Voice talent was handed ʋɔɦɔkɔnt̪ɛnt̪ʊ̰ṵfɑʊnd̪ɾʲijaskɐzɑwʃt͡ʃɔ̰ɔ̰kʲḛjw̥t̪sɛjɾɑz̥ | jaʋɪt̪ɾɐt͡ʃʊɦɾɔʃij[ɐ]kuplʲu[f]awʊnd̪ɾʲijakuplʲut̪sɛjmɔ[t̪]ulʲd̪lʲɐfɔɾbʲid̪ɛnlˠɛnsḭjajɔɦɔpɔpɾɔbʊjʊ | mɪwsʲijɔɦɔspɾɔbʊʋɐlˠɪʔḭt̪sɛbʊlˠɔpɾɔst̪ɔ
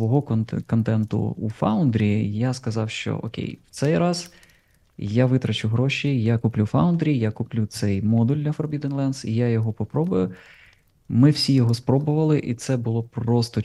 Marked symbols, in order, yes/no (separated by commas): no, yes, no